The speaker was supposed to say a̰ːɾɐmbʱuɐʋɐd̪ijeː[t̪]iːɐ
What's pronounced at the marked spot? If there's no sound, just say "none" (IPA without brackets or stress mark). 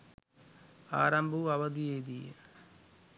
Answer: d̪